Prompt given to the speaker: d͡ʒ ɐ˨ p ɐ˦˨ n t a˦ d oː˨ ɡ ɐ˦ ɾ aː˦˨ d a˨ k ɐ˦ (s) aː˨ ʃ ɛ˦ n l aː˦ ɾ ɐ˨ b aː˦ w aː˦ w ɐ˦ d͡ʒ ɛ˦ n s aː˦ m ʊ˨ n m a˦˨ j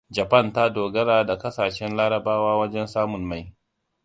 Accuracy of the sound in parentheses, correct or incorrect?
correct